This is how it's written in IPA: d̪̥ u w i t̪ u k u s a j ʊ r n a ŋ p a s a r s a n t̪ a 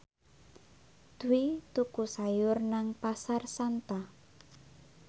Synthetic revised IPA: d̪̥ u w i t̪ u k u s a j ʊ r n a ŋ p a s a r s a n t̪ a